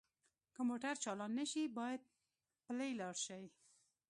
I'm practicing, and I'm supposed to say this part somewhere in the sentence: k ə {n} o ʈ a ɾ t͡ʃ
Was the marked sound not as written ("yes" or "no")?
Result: yes